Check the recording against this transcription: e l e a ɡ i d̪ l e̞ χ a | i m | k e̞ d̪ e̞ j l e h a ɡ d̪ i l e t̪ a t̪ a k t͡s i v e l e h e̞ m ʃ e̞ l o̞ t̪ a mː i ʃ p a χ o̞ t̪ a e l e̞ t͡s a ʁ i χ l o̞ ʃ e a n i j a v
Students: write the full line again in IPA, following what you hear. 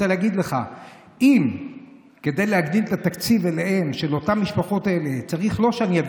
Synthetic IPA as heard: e l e a ɡ i d̪ l e̞ χ a | i m | k e̞ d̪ e̞ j l e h a ɡ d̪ i l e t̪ a t̪ a k t͡s i v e l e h e̞ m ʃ e̞ l o̞ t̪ a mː i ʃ p a χ o̞ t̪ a e l e̞ t͡s a ʁ i χ l o̞ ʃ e a n i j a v